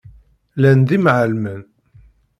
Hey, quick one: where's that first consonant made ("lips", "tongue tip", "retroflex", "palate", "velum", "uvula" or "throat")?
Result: tongue tip